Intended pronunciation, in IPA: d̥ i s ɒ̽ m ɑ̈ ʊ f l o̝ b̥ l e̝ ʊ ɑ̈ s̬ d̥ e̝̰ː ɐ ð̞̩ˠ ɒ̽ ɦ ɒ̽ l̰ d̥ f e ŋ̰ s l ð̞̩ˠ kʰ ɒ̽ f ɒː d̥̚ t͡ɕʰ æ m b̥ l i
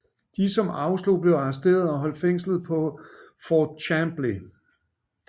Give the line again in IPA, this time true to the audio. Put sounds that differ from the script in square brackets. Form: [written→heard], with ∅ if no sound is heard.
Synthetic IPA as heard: d̥ i s ɒ̽ m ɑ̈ ʊ [f→s] l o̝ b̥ l e̝ ʊ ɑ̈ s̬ d̥ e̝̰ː ɐ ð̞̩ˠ ɒ̽ ɦ ɒ̽ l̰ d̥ f e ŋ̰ s l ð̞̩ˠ [kʰ→pʰ] ɒ̽ f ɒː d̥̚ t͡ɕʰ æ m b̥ l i